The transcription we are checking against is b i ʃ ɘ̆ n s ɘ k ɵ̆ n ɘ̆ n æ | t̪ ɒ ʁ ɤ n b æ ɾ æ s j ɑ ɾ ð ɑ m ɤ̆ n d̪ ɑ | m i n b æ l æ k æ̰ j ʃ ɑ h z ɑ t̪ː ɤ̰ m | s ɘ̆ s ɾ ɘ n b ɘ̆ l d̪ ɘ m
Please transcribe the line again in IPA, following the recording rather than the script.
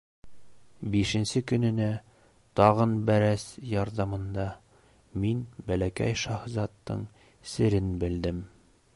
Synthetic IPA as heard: b i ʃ ɘ̆ n s ɘ k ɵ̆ n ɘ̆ n æ | t̪ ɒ ʁ ɤ n b æ ɾ æ s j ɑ ɾ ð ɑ m ɤ̆ n d̪ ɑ | m i n b æ l æ k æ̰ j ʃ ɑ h z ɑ t̪ː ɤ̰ ɴ | s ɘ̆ ɾ ɘ n b ɘ̆ l d̪ ɘ m

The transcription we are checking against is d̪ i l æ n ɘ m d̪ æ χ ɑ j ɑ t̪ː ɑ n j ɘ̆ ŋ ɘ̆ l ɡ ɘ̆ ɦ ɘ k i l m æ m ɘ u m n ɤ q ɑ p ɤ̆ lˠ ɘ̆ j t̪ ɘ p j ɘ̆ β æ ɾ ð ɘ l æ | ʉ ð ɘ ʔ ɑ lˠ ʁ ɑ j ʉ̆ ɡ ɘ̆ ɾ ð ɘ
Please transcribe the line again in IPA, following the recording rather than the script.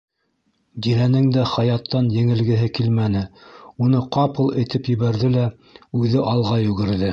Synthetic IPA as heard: d̪ i l æ n ɘ ŋ d̪ æ χ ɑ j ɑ t̪ː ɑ n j ɘ̆ ŋ ɘ̆ l ɡ ɘ̆ ɦ ɘ k i l m æ n ɘ u n ɤ q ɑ p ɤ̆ lˠ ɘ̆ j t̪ ɘ p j ɘ̆ β æ ɾ ð ɘ l æ | ʉ ð ɘ ʔ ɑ lˠ ʁ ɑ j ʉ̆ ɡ ɘ̆ ɾ ð ɘ

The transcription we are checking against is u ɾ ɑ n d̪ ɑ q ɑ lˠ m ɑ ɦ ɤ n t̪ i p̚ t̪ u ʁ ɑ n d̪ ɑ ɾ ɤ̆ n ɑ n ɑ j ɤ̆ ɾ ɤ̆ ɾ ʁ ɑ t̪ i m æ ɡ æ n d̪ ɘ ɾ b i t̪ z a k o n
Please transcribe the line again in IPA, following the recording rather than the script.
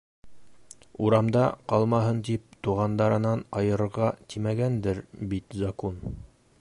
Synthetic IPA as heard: u ɾ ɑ m d̪ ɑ q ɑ lˠ m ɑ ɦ ɤ n t̪ i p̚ t̪ u ʁ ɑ n d̪ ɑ ɾ ɤ̆ n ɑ n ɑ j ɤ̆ ɾ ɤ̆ ɾ ʁ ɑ t̪ i m æ ɡ æ n d̪ ɘ ɾ b i t̪ z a k o n

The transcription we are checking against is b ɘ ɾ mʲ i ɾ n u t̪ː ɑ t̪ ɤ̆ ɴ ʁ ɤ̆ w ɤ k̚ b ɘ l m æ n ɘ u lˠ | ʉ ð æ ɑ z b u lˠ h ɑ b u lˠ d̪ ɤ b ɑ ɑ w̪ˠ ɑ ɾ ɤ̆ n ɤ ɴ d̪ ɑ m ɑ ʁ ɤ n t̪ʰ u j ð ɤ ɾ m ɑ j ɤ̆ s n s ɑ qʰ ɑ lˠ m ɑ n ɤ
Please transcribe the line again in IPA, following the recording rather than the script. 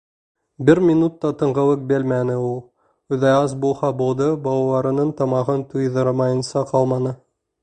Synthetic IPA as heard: b ɘ ɾ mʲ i n u t̪ː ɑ t̪ ɤ̆ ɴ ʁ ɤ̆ w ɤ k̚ b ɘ l m æ n ɘ u lˠ | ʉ ð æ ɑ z b u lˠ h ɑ b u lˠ d̪ ɤ b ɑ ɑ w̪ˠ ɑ ɾ ɤ̆ n ɤ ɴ t̪ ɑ m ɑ ʁ ɤ n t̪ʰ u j ð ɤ ɾ m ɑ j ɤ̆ n s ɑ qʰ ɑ lˠ m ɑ n ɤ

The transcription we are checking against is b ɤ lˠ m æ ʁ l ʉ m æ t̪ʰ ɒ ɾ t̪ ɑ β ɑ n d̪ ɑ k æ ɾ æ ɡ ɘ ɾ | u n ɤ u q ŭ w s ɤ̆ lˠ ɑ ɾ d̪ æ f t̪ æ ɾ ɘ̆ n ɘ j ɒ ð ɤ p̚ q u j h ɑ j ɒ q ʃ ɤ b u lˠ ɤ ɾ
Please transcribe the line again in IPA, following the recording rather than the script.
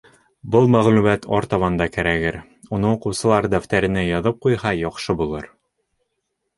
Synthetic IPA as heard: b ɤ lˠ m æ ʁ l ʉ m æ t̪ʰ ɒ ɾ t̪ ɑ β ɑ n d̪ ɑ k æ ɾ æ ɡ ɘ ɾ | u n ɤ u q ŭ w s ɤ̆ lˠ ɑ ɾ d̪ æ f t̪ æ ɾ ɘ̆ n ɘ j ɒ ð ɤ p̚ q u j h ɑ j ɒ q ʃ ɤ b u lˠ ɤ ɾ

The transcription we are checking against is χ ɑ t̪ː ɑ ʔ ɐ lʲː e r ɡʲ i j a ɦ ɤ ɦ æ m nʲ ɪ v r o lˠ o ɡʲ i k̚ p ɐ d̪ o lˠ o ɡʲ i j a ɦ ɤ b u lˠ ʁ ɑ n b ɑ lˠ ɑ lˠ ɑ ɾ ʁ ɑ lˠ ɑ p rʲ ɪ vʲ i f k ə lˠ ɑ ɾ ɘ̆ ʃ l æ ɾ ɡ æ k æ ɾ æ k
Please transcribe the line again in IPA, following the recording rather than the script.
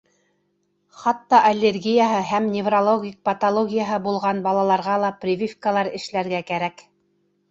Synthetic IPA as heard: χ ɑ t̪ː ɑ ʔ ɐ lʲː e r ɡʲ i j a ɦ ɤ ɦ æ m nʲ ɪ v r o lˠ o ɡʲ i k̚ p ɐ t̪ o lˠ o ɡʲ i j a ɦ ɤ b u lˠ ʁ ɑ n b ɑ lˠ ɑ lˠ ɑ ɾ ʁ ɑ lˠ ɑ p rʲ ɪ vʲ i f k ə lˠ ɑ ɾ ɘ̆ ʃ l æ ɾ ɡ æ k æ ɾ æ k

